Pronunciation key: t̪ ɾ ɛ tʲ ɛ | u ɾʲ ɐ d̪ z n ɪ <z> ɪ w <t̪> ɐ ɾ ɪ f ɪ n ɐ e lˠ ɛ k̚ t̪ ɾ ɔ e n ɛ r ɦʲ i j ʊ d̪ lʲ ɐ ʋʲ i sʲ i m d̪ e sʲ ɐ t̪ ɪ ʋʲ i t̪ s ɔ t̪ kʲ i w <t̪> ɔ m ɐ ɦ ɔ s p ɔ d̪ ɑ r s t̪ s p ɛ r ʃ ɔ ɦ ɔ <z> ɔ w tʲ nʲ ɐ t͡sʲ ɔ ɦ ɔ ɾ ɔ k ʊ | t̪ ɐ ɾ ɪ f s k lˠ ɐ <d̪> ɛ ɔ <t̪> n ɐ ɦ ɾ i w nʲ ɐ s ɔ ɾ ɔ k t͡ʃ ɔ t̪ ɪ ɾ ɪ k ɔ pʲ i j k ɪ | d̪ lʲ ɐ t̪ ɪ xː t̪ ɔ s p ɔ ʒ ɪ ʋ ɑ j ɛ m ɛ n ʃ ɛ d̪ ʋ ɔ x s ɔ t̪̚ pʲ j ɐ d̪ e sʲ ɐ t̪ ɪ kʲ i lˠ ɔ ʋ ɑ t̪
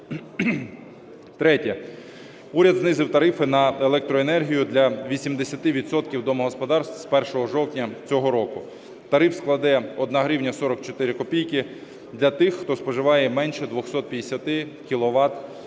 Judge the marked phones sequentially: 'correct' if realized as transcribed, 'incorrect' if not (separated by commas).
correct, correct, incorrect, incorrect, correct, incorrect